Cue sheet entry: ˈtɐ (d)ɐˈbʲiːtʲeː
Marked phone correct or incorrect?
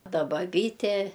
incorrect